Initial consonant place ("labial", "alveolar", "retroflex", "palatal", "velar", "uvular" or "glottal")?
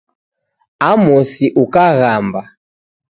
labial